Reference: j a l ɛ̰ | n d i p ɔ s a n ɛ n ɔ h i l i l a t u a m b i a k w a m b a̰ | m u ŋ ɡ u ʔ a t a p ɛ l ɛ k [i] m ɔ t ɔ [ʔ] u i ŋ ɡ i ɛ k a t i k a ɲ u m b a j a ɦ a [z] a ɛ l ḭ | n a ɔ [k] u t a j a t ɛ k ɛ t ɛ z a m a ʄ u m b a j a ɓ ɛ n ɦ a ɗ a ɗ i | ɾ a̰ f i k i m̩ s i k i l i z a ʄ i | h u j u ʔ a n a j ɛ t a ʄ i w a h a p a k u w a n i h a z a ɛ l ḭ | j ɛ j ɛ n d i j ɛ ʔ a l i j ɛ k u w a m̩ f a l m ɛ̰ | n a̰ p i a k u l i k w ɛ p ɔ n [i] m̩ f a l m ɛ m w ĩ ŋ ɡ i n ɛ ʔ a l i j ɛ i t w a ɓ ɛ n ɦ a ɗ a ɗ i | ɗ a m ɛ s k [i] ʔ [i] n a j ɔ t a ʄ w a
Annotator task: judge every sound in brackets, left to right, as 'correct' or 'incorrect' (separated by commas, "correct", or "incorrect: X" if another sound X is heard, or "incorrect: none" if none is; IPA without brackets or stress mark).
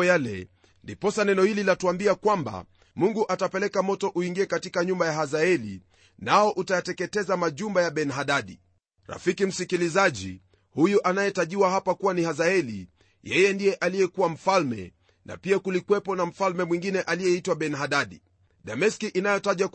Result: incorrect: a, correct, correct, incorrect: ʔ, incorrect: a, correct, correct